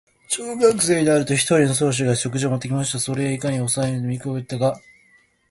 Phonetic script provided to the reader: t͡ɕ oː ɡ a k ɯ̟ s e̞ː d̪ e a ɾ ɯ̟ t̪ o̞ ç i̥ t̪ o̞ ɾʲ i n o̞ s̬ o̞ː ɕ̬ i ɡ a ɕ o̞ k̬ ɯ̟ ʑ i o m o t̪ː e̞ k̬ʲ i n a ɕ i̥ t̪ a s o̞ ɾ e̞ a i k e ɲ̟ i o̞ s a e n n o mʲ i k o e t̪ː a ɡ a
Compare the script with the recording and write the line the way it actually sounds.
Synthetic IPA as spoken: t͡ɕ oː ɡ a k ɯ̟ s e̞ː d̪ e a ɾ ɯ̟ t̪ o̞ ç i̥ t̪ o̞ ɾʲ i n o̞ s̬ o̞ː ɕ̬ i ɡ a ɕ o̞ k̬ ɯ̟ ʑ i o m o t̪ː e̞ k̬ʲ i m a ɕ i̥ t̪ a s o̞ ɾ e̞ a i k a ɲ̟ i o̞ s a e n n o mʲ i k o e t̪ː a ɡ a